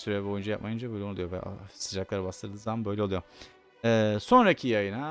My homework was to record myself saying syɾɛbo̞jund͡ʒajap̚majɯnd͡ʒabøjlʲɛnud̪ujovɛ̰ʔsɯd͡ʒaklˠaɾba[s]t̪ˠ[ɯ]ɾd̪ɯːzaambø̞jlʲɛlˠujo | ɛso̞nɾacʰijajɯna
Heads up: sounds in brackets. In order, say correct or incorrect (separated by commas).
correct, correct